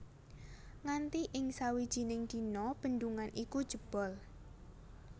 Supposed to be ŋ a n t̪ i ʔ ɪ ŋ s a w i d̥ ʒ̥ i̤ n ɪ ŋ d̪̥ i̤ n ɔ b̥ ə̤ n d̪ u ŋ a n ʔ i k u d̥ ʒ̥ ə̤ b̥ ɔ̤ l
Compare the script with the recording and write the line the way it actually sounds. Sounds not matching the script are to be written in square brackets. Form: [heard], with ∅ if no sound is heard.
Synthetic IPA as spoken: ŋ a n t̪ i ʔ ɪ ŋ s a w i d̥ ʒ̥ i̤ n ɪ ŋ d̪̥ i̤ n ɔ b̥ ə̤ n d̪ u ŋ a n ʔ i k u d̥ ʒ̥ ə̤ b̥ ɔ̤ l